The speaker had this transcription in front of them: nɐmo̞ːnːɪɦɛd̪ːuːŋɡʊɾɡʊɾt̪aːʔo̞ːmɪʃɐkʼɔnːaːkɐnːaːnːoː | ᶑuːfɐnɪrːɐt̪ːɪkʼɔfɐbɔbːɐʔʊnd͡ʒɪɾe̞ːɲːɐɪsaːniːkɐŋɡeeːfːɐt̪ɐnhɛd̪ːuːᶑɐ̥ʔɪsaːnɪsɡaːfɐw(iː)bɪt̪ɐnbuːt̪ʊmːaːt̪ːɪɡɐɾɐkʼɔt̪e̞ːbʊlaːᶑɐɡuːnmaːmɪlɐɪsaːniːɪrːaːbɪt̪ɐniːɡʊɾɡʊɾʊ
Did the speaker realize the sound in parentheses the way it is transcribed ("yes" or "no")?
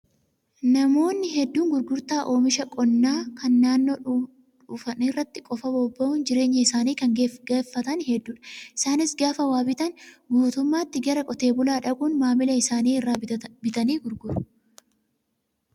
no